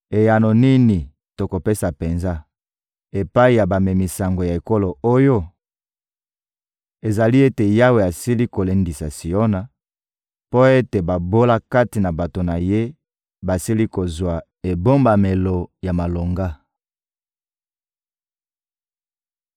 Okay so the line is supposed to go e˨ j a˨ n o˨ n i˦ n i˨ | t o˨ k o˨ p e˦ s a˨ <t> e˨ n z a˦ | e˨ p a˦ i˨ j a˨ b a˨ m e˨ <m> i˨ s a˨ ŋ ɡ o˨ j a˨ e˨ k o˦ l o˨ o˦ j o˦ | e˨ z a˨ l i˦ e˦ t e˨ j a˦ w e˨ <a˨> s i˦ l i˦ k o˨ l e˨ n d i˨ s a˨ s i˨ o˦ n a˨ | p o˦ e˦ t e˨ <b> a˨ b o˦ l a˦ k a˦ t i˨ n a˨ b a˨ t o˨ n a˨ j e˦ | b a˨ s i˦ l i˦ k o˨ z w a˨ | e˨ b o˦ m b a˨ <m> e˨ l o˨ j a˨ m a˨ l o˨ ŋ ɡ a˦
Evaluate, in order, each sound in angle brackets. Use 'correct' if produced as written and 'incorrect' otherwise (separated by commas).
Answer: incorrect, correct, correct, correct, correct